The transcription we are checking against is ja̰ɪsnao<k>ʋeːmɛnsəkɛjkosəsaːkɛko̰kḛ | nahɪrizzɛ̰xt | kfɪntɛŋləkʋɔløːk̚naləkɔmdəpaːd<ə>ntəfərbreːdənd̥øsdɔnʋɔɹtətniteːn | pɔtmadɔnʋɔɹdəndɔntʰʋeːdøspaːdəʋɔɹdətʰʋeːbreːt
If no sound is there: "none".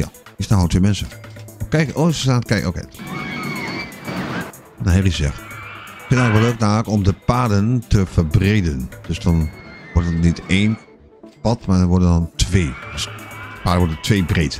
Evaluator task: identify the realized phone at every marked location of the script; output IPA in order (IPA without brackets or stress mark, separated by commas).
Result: t, ə